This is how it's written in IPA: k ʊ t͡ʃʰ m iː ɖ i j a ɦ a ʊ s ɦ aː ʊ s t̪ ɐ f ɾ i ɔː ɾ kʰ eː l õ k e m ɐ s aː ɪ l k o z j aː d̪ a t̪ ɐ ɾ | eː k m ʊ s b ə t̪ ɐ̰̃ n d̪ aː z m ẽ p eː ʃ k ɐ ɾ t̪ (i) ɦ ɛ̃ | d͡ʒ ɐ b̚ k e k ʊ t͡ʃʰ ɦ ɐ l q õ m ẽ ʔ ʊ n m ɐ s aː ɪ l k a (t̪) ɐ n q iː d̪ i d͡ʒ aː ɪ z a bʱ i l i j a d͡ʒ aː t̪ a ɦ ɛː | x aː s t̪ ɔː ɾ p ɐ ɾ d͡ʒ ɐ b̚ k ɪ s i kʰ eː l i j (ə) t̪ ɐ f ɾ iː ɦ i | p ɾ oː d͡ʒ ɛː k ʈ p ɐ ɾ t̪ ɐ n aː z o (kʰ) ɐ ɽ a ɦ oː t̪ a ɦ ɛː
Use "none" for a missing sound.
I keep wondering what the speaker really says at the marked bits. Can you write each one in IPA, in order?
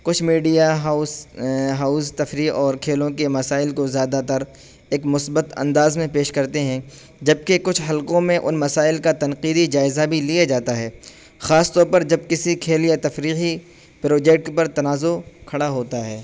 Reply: e, t̪, a, kʰ

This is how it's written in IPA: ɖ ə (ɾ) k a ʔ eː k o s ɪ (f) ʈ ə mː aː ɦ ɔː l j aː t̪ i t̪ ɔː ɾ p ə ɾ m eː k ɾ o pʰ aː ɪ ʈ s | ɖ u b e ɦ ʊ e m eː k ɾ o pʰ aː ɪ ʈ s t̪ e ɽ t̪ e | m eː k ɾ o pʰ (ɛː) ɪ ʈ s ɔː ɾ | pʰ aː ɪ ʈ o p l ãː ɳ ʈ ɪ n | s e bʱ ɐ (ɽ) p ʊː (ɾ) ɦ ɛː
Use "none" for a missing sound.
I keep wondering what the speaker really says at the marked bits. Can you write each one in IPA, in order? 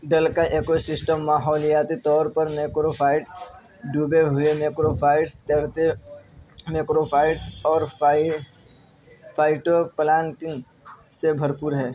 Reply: l, s, aː, ɾ, ɾ

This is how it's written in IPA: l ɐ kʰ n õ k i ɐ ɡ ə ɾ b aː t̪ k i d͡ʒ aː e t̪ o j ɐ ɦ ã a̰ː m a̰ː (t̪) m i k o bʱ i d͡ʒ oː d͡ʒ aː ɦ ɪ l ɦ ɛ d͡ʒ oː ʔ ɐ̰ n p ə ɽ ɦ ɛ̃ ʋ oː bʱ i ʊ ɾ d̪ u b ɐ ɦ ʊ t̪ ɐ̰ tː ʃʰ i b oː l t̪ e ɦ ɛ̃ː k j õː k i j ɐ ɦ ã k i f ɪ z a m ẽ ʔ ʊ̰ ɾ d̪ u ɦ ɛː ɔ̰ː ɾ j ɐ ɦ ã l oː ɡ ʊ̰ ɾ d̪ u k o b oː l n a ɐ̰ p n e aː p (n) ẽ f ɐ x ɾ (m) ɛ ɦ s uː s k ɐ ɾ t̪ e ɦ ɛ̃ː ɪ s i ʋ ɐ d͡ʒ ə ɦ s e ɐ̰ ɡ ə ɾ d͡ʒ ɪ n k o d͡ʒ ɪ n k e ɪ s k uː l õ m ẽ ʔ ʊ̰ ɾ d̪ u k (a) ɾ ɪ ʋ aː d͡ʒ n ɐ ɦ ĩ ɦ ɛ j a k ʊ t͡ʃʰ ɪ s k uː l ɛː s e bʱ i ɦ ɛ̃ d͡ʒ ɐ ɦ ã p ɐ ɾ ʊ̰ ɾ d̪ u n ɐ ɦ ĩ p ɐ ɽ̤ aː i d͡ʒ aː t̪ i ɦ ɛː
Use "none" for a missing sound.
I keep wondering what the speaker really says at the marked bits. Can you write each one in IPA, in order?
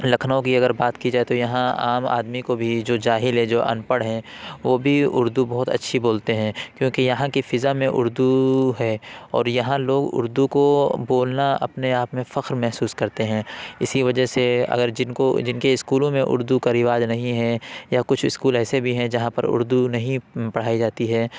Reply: d̪, m, m, a

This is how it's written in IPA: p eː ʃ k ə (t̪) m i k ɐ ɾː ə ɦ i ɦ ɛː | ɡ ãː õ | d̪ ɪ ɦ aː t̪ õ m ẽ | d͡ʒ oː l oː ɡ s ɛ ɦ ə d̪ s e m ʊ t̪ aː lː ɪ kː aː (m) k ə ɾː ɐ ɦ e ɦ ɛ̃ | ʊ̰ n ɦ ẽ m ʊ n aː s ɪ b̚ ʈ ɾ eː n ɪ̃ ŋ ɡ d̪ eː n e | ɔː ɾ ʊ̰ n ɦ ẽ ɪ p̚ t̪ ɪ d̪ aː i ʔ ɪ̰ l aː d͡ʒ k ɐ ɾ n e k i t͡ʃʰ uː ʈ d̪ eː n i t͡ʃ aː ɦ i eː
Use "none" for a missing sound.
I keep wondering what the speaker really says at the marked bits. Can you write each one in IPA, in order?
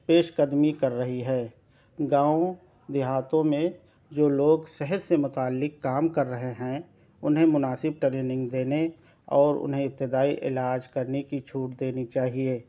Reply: d̪, m

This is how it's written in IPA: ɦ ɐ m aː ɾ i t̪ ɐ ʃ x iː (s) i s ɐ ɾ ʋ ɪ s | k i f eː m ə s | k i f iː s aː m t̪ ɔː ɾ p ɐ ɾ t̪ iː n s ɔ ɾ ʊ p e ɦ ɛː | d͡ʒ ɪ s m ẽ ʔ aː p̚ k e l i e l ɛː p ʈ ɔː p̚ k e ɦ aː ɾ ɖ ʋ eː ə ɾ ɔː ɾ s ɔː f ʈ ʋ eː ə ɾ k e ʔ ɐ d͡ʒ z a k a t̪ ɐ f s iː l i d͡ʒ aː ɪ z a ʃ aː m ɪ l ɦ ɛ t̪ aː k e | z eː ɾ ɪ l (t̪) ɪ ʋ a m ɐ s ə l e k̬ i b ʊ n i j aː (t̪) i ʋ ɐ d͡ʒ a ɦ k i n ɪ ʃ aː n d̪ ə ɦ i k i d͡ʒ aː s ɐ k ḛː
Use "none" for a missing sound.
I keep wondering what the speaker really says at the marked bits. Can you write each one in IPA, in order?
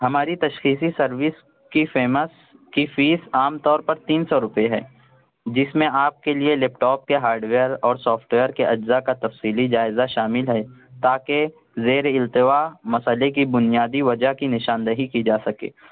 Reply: s, t̪, d̪

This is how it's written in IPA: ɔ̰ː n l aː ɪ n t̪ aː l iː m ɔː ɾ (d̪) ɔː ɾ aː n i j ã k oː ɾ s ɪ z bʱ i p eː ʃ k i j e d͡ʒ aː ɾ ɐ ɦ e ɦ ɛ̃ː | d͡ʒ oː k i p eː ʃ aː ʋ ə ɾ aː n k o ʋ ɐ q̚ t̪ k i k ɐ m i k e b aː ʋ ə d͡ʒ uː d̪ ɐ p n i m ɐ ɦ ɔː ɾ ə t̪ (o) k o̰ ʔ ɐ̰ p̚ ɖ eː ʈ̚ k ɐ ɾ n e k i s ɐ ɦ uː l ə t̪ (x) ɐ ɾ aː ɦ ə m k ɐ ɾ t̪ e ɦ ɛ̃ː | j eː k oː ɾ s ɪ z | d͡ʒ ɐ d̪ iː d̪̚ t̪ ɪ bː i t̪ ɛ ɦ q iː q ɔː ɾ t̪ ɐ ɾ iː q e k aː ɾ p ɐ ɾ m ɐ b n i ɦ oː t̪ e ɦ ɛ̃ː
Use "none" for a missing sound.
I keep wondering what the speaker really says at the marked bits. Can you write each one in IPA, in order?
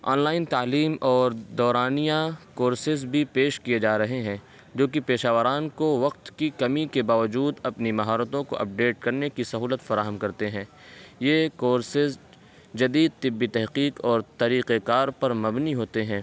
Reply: d̪, õ, f

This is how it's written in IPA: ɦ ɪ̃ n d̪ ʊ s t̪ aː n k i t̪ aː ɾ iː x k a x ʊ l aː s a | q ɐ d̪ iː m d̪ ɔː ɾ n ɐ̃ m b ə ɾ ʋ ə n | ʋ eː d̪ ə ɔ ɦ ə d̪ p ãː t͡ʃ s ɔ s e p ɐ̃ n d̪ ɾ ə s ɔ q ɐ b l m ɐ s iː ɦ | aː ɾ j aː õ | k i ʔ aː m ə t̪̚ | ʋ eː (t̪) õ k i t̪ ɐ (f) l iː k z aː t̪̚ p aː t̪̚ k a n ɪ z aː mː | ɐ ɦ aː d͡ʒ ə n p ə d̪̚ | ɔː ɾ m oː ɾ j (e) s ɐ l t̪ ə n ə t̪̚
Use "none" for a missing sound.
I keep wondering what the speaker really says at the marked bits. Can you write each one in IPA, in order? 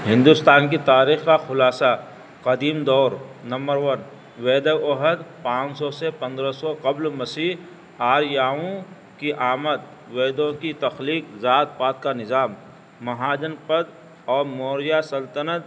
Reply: d̪, x, a

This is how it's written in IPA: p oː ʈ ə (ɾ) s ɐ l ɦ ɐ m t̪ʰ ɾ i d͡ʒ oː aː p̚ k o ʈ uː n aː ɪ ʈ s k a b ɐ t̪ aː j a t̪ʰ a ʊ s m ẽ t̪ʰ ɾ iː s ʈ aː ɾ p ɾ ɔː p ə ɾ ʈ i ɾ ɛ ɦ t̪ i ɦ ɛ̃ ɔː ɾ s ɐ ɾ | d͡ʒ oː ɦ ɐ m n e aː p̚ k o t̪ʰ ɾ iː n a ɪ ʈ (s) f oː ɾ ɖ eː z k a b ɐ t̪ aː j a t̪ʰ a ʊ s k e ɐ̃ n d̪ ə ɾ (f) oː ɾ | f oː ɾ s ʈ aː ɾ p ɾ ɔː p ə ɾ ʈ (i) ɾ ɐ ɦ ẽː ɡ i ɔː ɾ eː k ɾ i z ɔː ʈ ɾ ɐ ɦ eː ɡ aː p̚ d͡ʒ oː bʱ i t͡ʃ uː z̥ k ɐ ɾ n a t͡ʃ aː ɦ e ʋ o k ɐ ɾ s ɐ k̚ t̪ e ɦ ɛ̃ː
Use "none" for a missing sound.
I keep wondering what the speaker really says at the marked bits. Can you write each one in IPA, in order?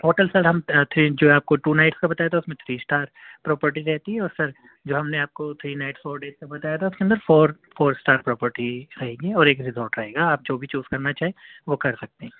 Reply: l, s, f, i

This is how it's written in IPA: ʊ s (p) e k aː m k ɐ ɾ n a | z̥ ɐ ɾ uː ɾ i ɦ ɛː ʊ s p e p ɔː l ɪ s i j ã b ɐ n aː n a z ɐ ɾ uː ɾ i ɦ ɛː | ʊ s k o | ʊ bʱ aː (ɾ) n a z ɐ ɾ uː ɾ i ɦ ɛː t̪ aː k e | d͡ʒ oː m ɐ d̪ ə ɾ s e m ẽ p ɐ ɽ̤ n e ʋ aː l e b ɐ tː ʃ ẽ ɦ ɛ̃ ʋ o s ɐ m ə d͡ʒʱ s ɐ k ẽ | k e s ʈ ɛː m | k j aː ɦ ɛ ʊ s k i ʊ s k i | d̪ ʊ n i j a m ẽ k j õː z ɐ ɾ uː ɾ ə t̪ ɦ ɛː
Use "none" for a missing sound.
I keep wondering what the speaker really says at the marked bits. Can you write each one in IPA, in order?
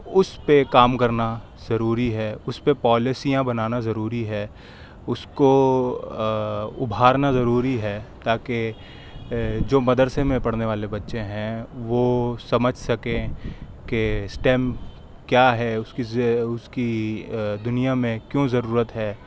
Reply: p, ɾ

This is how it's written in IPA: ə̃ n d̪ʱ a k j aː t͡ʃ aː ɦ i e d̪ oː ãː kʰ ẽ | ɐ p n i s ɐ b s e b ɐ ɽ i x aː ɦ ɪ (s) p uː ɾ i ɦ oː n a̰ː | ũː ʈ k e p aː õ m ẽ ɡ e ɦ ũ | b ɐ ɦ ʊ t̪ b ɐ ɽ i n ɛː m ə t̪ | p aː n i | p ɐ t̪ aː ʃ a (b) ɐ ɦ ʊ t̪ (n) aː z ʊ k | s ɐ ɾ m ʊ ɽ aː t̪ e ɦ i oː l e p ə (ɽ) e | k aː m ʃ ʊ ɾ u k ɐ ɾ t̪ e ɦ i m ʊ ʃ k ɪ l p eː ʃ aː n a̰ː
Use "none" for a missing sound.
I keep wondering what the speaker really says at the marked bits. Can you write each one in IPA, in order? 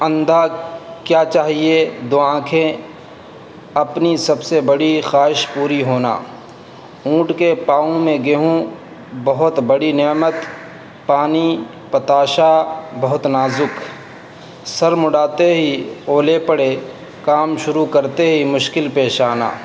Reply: ʃ, b, n, ɽ

